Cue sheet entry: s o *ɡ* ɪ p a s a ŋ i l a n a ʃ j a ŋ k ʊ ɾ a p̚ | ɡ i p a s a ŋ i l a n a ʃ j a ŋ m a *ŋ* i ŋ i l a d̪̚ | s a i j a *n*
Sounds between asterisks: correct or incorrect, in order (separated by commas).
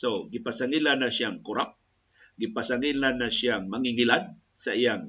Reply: correct, correct, incorrect